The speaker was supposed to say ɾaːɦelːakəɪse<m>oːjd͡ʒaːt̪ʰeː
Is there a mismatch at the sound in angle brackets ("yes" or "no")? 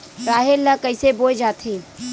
yes